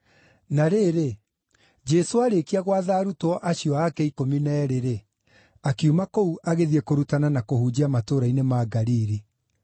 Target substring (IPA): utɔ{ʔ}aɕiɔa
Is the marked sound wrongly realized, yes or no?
no